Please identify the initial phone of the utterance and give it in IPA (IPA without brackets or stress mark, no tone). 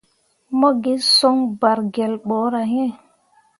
m